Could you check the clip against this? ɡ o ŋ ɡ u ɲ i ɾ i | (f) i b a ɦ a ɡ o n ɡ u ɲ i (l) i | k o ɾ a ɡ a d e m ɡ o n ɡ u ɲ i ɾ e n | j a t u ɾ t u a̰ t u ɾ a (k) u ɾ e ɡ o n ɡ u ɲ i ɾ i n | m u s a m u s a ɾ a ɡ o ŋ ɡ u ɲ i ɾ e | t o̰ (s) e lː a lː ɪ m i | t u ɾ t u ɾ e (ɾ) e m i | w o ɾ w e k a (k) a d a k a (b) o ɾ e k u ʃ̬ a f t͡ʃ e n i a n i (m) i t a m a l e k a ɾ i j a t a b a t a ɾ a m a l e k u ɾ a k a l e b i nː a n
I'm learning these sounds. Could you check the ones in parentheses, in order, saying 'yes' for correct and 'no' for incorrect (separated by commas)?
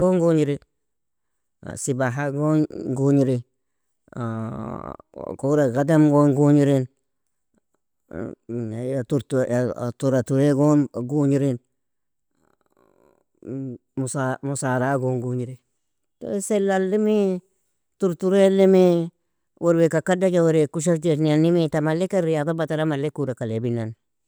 no, no, no, yes, no, yes, no, yes